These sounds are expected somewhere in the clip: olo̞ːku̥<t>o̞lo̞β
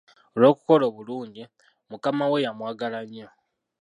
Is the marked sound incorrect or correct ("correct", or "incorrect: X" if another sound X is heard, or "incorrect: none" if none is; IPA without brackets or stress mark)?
incorrect: k